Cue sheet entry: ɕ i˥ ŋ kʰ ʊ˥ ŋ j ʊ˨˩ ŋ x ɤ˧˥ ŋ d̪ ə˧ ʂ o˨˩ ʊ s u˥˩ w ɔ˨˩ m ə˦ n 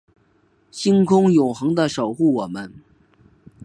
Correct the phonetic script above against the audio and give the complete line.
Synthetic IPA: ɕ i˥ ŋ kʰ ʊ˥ ŋ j ʊ˨˩ ŋ x ɤ˧˥ ŋ d̪ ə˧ ʂ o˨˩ ʊ x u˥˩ w ɔ˨˩ m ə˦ n